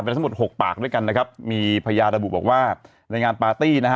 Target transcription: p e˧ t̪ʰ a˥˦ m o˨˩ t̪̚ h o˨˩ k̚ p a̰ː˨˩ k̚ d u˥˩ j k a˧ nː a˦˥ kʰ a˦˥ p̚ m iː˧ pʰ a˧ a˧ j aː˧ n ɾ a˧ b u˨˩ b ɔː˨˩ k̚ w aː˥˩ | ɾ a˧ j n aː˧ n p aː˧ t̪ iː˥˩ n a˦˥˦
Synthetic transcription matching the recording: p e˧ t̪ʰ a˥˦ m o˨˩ t̪̚ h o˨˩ k̚ p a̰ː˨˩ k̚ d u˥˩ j k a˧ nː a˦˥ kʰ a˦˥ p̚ m iː˧ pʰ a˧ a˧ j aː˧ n ɾ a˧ b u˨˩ b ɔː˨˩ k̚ w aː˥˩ | ɾ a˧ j ŋ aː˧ n p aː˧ t̪ iː˥˩ n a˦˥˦